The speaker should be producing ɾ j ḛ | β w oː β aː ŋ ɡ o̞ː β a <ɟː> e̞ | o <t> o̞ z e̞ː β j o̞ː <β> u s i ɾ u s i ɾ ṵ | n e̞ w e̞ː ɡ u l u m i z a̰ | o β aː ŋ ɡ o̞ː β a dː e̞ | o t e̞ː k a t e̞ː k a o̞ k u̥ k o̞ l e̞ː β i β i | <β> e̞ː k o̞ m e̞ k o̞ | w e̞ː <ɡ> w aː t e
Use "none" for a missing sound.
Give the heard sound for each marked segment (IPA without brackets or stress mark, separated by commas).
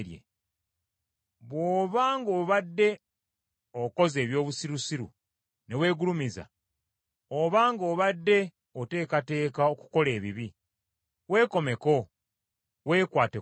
dː, k, β, w, k